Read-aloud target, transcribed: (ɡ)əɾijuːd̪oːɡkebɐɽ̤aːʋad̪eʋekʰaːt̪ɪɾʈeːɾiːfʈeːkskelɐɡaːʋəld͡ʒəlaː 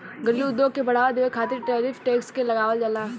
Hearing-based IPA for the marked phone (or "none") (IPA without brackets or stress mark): ɡ